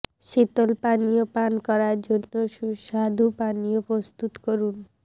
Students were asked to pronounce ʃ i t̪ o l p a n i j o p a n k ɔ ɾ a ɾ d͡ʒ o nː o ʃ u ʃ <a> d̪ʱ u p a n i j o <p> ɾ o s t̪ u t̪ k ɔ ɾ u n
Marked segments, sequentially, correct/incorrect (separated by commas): correct, correct